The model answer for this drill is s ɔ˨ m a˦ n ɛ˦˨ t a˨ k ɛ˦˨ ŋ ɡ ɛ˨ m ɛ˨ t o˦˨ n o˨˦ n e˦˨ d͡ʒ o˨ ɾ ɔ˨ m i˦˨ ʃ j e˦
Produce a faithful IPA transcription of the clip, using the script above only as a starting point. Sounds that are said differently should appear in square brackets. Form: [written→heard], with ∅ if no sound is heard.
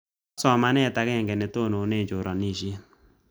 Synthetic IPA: s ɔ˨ m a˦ n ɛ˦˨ t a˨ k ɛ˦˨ ŋ ɡ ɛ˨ [m→n] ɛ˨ t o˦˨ n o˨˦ n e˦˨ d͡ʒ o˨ ɾ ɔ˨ [m→n] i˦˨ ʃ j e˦